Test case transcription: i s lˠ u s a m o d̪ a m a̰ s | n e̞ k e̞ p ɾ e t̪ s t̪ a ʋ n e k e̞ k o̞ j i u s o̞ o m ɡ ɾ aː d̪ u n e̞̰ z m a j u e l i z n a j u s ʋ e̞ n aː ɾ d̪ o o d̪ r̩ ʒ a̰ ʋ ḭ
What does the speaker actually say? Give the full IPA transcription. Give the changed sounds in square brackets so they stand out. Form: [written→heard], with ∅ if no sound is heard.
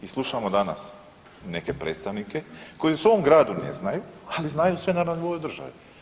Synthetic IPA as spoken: i s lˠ u [s→ʃ] a m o d̪ a [m→n] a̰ s | n e̞ k e̞ p ɾ e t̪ s t̪ a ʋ n [e→i] k e̞ k o̞ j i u s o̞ o m ɡ ɾ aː d̪ u n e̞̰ z [m→n] a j u [e→a] l i z n a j u s ʋ e̞ n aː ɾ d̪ o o d̪ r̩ ʒ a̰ ʋ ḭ